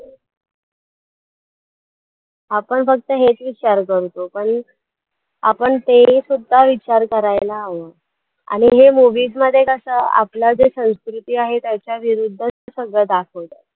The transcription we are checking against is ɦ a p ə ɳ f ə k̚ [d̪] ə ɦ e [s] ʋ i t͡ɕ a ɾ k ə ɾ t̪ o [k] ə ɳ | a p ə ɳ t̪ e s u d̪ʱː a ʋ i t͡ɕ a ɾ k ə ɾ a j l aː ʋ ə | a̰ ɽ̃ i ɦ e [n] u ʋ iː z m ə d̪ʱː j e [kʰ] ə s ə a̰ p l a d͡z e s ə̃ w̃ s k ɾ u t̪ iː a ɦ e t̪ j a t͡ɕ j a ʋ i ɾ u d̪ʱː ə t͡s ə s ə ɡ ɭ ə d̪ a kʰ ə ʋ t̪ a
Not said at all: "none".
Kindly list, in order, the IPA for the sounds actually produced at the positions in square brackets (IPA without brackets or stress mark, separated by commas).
t̪, t͡s, p, m, k